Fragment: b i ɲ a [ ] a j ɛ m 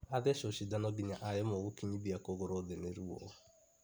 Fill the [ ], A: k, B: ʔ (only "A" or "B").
B